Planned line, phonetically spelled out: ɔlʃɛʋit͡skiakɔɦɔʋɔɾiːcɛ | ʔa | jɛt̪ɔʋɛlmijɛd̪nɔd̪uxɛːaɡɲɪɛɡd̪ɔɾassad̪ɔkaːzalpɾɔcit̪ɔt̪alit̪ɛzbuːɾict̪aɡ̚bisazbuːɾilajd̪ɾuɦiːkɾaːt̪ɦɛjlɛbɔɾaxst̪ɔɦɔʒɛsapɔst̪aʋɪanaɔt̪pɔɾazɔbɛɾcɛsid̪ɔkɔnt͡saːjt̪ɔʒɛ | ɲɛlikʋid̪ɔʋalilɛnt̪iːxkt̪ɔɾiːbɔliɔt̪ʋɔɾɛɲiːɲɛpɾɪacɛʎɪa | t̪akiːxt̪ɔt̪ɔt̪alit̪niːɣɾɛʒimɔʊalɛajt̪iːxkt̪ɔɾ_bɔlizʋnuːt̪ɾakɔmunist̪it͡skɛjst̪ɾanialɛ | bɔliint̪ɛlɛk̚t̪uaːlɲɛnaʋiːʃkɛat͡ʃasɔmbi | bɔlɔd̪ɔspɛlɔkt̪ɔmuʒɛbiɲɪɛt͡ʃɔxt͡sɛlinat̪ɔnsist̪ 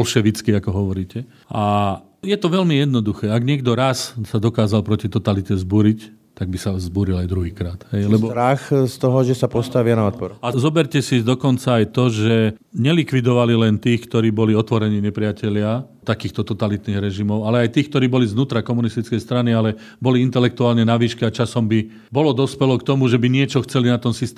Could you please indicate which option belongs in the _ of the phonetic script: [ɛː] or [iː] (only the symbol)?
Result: iː